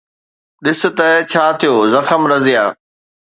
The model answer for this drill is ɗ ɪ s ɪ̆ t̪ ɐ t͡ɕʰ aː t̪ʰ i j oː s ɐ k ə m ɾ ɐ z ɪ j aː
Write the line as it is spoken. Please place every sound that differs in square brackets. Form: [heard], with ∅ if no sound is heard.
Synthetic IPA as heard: ɗ ɪ s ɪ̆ t̪ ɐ t͡ɕʰ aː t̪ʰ i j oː [z] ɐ [x] ə m ɾ ɐ z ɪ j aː